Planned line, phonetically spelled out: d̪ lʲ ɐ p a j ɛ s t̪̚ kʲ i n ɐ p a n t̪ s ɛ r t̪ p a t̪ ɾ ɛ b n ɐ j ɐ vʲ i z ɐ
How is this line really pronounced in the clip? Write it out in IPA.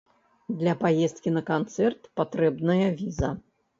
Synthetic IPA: d̪ lʲ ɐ p a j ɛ s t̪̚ kʲ i n ɐ k a n t̪ s ɛ r t̪ p a t̪ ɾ ɛ b n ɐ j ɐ vʲ i z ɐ